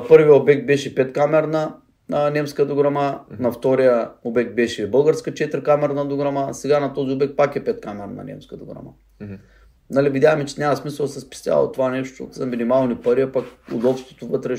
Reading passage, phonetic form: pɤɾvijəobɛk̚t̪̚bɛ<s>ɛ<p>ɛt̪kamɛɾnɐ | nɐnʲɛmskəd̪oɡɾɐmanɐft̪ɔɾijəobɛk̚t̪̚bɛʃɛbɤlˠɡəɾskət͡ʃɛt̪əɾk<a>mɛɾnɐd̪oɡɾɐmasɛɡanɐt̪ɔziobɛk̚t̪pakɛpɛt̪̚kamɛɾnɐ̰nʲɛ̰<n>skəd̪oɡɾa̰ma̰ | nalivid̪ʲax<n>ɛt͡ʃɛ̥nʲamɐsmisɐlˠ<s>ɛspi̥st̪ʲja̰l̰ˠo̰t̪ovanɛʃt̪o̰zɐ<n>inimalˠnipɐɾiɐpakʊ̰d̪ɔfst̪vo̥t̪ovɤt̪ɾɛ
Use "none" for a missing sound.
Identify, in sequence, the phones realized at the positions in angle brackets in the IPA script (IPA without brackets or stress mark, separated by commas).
ʃ, p, a, m, m, s, m